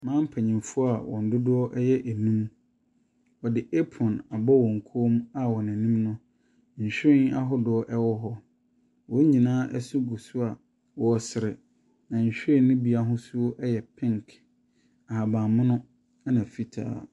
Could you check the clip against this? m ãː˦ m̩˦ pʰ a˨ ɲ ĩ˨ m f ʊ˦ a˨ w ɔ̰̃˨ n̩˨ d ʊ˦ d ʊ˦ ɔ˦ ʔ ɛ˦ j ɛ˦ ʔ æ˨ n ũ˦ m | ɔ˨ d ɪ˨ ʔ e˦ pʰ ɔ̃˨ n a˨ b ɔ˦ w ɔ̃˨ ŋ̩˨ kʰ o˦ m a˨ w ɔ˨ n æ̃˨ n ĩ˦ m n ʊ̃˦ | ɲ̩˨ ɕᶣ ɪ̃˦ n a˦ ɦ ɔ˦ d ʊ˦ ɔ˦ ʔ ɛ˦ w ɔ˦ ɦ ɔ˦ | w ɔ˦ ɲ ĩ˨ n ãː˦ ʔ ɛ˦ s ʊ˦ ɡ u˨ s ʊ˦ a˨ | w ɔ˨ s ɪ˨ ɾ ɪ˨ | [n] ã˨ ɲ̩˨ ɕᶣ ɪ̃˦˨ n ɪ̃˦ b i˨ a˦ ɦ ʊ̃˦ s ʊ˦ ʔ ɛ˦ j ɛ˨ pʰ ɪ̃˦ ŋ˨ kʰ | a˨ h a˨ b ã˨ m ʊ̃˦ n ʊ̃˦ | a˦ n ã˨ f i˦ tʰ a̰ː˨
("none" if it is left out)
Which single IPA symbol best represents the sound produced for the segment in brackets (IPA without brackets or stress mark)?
n